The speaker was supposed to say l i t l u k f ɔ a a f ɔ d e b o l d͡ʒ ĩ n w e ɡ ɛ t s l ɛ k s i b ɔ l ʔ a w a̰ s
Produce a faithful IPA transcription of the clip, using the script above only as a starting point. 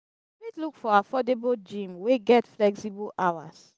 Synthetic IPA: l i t l u k f ɔ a a f ɔ d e b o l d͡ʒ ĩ m w e ɡ ɛ t f l ɛ k s i b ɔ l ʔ a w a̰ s